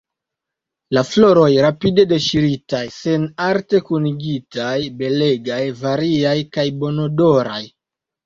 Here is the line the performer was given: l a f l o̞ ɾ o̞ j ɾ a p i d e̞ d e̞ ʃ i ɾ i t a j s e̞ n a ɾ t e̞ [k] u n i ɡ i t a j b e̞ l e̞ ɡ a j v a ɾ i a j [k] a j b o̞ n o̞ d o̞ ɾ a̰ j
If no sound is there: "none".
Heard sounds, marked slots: k, k

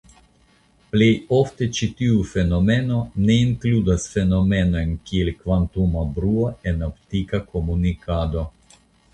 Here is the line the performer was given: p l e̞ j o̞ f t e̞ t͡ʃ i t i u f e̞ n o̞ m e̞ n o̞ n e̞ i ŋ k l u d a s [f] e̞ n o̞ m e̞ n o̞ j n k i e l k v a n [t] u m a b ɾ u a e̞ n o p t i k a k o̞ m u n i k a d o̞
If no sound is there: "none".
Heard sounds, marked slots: f, t

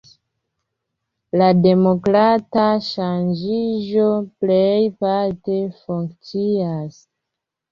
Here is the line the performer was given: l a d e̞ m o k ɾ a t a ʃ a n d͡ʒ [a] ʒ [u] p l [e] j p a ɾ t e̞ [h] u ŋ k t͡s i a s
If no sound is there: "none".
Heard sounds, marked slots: i, o, e, f

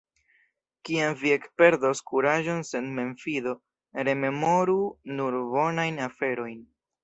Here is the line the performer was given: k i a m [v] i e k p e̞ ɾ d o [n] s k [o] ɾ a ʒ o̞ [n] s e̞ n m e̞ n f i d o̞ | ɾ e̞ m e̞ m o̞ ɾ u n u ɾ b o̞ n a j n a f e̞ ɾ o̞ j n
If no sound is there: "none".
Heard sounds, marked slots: v, none, u, n

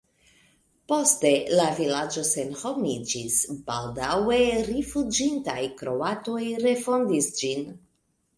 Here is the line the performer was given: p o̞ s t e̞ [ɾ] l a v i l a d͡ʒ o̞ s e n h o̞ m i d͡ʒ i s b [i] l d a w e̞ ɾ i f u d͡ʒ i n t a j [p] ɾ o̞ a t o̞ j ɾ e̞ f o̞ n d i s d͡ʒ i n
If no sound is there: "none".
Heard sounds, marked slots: none, a, k

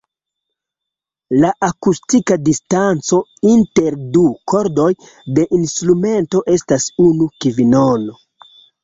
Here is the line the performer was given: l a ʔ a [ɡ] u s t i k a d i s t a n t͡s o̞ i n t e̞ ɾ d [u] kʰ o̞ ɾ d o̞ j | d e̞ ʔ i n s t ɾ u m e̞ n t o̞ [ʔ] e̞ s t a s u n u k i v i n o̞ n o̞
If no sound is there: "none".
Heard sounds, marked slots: k, u, ʔ

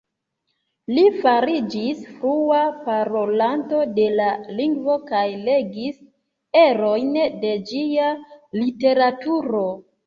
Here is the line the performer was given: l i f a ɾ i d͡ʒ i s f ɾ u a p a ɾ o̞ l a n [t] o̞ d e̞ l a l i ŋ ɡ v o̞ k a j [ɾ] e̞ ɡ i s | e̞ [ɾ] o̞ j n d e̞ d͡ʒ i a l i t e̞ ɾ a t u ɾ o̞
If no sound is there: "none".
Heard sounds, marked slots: t, l, ɾ

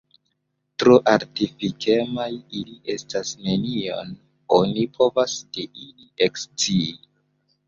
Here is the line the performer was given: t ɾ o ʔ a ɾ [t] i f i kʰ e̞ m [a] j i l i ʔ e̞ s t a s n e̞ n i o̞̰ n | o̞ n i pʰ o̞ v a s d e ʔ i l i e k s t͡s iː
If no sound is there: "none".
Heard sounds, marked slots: t, a

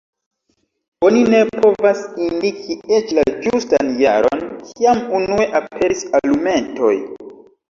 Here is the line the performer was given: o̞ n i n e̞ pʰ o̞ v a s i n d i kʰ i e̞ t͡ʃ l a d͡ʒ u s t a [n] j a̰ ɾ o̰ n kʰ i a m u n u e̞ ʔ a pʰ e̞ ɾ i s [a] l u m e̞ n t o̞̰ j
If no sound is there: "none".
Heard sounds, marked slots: n, a

